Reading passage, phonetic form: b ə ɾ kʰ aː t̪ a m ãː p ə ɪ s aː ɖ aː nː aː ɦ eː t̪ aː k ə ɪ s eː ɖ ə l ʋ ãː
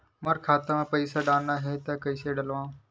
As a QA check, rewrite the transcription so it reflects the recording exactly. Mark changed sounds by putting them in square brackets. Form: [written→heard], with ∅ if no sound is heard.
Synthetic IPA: [b→m] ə ɾ kʰ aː t̪ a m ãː p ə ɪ s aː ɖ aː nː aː ɦ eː t̪ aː k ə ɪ s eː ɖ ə l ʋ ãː